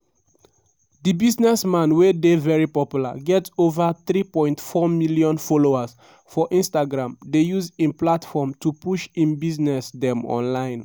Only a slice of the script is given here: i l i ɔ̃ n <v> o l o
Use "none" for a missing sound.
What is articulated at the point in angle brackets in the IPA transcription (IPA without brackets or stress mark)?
f